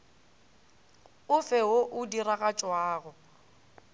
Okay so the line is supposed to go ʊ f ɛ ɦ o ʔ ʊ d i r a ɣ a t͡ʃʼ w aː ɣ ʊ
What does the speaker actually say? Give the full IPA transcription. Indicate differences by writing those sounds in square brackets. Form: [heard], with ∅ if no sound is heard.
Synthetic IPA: ʊ f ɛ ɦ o ʔ ʊ d i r a ɣ a t͡ʃʼ w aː ɣ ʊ